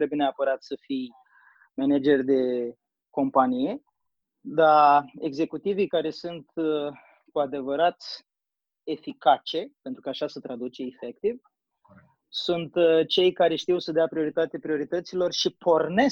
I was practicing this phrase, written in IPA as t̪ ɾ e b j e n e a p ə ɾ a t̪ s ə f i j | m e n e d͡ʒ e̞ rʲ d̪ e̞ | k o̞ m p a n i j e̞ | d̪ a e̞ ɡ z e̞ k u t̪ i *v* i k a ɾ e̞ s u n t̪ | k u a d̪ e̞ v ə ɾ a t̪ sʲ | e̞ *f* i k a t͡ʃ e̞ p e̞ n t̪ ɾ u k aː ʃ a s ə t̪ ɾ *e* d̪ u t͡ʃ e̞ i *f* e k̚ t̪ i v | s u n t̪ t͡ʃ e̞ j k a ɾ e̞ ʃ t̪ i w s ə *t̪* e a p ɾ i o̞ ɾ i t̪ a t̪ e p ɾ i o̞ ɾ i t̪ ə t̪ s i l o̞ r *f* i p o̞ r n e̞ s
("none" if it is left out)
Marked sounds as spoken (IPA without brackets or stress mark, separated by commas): v, f, a, f, d̪, ʃ